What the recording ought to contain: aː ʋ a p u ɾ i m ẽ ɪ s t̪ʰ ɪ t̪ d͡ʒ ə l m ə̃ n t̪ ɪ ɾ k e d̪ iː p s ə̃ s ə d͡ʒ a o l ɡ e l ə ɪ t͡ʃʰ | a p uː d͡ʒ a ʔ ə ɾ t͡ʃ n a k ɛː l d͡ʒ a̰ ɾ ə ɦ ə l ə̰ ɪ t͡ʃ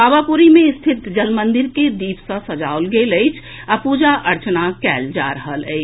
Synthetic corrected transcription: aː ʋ a p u ɾ i m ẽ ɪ s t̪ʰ ɪ t̪ d͡ʒ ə l m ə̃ n d̪ ɪ ɾ k e d̪ iː p s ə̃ s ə d͡ʒ a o l ɡ e l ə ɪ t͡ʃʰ | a p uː d͡ʒ a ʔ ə ɾ t͡ʃ n a k ɛː l d͡ʒ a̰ ɾ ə ɦ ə l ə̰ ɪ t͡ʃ